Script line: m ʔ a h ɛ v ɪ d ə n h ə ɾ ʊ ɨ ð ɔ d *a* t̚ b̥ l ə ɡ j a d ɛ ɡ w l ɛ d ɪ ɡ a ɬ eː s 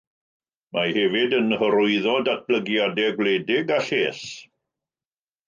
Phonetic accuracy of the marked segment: correct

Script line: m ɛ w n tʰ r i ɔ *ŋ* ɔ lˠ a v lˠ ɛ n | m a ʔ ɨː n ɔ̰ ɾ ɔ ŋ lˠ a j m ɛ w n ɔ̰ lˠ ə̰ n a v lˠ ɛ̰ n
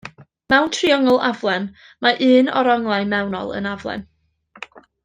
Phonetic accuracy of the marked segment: correct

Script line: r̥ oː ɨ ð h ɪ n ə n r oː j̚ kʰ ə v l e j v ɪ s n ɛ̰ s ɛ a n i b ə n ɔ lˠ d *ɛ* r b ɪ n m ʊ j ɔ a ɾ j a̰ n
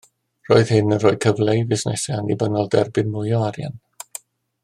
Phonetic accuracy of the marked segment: correct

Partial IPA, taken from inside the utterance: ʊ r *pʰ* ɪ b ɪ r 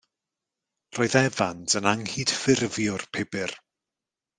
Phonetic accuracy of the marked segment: correct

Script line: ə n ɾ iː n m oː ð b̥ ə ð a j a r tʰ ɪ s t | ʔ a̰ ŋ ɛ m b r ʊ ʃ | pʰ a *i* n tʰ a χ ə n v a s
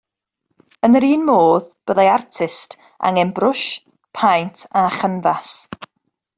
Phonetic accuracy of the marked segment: incorrect: j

